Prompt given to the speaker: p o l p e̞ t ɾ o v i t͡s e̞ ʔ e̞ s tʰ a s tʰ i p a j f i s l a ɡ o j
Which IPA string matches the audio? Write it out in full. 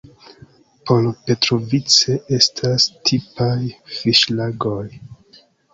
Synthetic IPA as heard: p o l p e̞ t ɾ o v i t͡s e̞ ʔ e̞ s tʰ a s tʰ i p a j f i ʃ l a ɡ o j